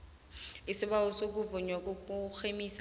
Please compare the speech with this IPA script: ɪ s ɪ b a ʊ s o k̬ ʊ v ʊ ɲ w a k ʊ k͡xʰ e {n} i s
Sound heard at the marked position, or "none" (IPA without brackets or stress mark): m